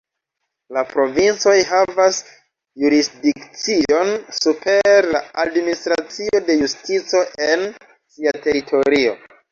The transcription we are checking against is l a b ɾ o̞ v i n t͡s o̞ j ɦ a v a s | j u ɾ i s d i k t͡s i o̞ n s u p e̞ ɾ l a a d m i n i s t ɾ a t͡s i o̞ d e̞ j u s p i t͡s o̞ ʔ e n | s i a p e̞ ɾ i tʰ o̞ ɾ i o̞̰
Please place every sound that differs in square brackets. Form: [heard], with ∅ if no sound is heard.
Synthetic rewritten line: l a [p] ɾ o̞ v i n t͡s o̞ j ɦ a v a s | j u ɾ i s d i k t͡s i o̞ n s u p e̞ ɾ l a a d m i n i s t ɾ a t͡s i o̞ d e̞ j u s [t] i t͡s o̞ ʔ e n | s i a [t] e̞ ɾ i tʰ o̞ ɾ i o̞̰